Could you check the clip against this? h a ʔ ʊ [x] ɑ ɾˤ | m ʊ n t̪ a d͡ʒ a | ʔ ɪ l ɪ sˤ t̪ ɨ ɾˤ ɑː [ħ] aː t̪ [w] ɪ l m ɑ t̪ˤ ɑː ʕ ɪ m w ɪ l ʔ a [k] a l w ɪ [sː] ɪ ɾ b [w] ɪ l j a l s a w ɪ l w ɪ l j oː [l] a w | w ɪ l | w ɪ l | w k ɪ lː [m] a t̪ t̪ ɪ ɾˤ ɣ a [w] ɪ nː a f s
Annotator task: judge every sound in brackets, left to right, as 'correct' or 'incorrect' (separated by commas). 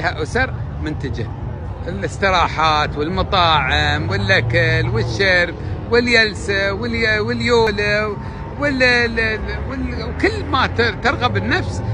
incorrect, correct, correct, correct, incorrect, correct, correct, correct, incorrect